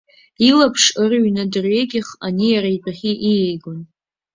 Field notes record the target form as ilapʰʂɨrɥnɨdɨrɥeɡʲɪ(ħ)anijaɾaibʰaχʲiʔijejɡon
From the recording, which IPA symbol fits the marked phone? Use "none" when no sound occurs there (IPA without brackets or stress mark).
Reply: χ